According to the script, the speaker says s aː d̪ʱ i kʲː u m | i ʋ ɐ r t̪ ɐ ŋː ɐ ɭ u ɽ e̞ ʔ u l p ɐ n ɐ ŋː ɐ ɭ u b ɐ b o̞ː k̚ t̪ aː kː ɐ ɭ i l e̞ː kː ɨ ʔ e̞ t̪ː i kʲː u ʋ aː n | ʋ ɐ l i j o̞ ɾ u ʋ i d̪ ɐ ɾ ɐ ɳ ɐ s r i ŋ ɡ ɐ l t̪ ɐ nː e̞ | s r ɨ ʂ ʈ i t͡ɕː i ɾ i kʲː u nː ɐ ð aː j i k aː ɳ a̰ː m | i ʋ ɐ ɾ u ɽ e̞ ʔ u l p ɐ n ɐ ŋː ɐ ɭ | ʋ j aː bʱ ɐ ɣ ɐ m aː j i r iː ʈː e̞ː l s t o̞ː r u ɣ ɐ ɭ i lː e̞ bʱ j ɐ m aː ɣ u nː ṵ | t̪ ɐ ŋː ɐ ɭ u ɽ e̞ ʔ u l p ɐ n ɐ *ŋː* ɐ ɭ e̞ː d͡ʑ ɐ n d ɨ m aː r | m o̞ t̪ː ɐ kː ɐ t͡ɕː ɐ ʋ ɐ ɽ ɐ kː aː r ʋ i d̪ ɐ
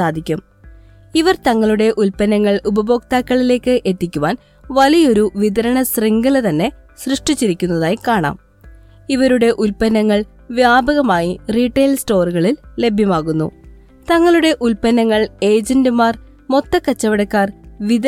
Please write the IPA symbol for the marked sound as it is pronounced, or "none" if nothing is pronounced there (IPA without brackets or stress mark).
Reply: ŋː